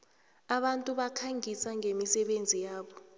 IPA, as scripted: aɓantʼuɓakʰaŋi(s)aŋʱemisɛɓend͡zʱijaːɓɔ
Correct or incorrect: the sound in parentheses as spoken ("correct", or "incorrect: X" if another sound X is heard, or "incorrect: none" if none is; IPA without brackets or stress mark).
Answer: correct